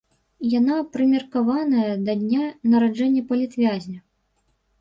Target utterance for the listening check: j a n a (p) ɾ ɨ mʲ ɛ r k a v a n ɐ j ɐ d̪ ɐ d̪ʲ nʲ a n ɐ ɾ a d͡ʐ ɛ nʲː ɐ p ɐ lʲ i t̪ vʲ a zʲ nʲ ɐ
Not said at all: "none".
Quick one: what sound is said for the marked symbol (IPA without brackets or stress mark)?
p